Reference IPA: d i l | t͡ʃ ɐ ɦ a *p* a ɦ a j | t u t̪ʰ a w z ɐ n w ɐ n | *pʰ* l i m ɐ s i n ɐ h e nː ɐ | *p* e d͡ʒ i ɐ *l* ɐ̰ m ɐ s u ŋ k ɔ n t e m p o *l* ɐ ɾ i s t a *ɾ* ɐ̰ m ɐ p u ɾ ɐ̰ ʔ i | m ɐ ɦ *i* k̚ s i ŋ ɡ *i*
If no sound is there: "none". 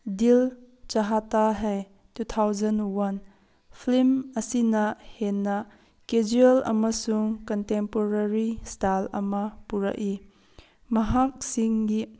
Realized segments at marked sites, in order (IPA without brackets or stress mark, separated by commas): t, pʰ, k, l, ɾ, l, a, i